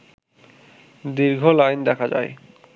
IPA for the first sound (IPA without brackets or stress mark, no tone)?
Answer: d̪